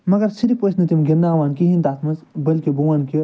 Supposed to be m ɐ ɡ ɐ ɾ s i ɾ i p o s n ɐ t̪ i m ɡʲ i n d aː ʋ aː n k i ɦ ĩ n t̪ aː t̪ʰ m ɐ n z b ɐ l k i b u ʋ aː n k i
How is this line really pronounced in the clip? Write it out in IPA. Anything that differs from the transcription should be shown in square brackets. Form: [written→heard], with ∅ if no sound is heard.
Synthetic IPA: m ɐ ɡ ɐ ɾ s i ɾ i p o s n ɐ t̪ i m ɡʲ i n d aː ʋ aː n k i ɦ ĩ n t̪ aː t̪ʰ m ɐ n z b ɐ l k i b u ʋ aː n k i

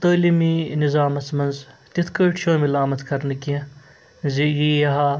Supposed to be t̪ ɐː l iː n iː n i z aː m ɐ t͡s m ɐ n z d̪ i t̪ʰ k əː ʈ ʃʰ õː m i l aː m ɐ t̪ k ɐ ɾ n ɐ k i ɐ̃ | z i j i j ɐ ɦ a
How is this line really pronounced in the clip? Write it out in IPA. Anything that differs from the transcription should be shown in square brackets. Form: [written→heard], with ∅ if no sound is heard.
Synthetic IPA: t̪ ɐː l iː [n→m] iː n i z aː m ɐ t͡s m ɐ n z [d̪→t̪] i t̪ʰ k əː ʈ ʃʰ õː m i l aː m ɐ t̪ k ɐ ɾ n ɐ k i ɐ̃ | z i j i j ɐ ɦ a

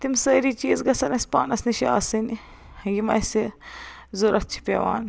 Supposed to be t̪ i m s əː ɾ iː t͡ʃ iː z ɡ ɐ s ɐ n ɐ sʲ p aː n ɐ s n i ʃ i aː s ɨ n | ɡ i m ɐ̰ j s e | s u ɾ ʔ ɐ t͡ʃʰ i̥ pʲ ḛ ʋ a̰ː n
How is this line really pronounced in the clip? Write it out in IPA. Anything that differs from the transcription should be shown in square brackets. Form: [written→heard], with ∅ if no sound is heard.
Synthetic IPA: t̪ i m s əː ɾ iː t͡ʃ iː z ɡ ɐ s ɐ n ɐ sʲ p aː n ɐ s n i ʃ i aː s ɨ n | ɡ i m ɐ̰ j s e | [s→z] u ɾ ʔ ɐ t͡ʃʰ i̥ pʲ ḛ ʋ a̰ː n

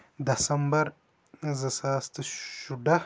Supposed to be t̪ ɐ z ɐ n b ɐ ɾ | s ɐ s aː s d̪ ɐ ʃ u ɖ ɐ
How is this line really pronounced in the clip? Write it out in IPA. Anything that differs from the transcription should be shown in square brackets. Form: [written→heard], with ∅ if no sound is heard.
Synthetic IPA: [t̪→d̪] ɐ [z→s] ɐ [n→m] b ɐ ɾ | [s→z] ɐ s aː s [d̪→t̪] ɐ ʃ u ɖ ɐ

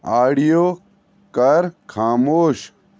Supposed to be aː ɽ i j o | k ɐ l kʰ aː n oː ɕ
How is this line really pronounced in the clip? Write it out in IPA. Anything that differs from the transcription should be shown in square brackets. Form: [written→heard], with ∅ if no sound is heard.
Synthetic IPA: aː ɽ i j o | k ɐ [l→ɾ] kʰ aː [n→m] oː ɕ

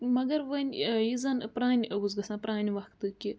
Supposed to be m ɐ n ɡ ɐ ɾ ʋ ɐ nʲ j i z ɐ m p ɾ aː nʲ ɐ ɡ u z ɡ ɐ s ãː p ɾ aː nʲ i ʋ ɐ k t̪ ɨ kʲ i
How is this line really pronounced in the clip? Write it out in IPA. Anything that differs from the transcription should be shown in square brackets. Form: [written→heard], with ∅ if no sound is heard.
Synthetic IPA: m ɐ [n→∅] ɡ ɐ ɾ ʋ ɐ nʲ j i z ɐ [m→n] p ɾ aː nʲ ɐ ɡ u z ɡ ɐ s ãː p ɾ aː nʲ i ʋ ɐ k t̪ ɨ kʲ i

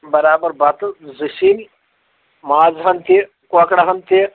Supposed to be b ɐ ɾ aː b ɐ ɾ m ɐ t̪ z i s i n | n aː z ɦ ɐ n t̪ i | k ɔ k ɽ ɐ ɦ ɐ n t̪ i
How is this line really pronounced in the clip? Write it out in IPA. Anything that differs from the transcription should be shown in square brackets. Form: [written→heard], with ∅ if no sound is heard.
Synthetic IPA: b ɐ ɾ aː b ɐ ɾ [m→b] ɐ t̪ z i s i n | [n→m] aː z ɦ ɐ n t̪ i | k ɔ k ɽ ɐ ɦ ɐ n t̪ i

